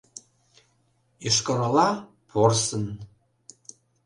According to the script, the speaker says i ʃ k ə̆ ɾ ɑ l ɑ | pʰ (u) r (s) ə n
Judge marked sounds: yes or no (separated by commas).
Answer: no, yes